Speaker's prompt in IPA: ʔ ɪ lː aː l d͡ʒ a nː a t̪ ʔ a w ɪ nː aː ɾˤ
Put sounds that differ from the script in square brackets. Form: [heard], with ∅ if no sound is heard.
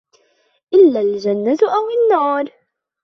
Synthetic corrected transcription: ʔ ɪ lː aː l d͡ʒ a nː a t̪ ʔ a w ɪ nː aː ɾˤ